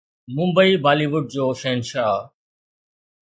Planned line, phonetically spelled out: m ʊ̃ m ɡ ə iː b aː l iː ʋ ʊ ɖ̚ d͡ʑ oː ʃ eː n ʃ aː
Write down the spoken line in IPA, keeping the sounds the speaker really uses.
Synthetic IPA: m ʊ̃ m b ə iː b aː l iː ʋ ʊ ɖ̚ d͡ʑ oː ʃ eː n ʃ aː